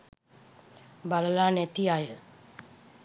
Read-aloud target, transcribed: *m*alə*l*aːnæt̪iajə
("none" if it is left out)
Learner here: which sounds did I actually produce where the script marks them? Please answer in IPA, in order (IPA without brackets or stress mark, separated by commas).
b, l